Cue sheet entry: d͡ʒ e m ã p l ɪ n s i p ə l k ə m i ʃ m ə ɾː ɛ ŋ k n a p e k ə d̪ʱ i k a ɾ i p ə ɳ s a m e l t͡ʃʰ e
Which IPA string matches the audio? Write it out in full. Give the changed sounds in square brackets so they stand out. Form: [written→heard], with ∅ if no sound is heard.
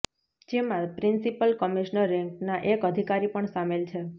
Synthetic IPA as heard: d͡ʒ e m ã p [l→ɾ] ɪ n s i p ə l k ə m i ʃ [m→n] ə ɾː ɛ ŋ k n a [p→ʔ] e k ə d̪ʱ i k a ɾ i p ə ɳ s a m e l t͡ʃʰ e